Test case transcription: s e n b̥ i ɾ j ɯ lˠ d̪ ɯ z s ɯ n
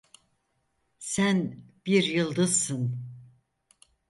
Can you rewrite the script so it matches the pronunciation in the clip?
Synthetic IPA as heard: s æ n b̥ i ɾ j ɯ lˠ d̪ ɯ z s ɯ n